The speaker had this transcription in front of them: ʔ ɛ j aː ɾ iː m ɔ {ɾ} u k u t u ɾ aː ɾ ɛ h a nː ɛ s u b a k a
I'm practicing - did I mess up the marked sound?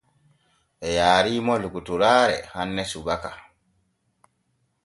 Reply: yes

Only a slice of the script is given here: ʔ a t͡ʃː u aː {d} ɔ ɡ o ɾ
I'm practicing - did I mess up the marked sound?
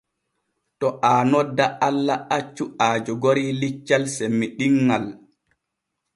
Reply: yes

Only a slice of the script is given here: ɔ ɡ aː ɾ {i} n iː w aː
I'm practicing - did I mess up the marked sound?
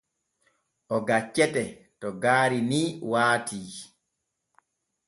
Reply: no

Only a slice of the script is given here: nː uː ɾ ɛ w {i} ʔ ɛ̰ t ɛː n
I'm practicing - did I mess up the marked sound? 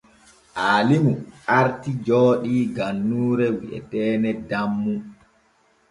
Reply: no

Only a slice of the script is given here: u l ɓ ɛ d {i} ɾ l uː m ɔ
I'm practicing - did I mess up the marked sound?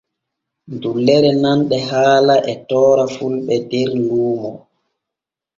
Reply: yes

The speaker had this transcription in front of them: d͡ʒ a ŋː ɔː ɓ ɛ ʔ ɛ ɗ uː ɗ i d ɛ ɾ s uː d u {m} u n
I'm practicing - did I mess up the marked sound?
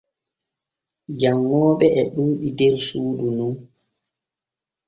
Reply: yes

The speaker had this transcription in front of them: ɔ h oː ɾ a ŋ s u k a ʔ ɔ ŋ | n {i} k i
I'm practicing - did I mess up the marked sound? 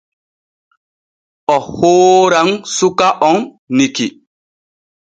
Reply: no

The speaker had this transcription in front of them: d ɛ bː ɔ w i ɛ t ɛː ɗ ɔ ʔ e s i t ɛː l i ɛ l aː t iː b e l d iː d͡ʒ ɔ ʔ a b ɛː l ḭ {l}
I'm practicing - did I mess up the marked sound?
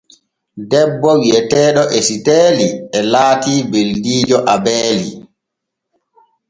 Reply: yes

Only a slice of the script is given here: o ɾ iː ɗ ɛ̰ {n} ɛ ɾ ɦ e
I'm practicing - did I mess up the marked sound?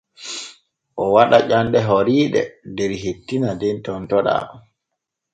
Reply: yes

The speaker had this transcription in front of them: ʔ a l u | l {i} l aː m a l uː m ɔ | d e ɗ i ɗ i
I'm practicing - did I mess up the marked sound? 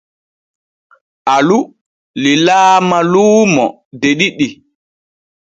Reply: no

